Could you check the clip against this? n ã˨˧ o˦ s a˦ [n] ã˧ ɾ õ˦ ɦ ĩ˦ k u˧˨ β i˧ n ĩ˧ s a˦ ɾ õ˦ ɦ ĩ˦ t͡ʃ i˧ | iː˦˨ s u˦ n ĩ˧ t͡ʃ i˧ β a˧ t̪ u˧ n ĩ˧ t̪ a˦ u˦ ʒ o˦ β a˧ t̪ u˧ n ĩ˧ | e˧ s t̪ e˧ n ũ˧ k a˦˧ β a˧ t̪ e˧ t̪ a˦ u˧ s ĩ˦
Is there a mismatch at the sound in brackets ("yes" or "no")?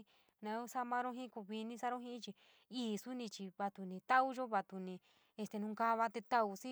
yes